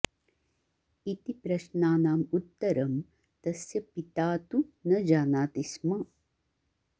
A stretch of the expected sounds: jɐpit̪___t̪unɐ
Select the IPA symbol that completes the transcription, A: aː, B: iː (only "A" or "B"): A